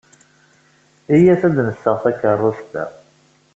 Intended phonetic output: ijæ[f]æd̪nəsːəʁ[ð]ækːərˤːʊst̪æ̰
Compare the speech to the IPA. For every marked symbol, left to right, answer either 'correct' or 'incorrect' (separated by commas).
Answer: incorrect, incorrect